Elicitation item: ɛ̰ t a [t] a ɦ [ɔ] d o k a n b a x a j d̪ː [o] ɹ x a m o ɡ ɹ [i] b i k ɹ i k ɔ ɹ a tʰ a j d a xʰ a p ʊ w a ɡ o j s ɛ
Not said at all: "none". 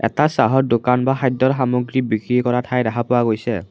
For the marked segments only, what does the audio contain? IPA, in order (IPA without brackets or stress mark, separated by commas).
s, ɔ, ɔ, i